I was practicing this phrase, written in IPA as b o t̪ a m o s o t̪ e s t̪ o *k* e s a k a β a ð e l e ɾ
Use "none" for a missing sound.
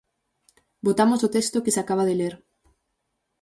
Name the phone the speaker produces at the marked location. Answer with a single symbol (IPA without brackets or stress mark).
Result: k